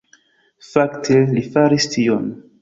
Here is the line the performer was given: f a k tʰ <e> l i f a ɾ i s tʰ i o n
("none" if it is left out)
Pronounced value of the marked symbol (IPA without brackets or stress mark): e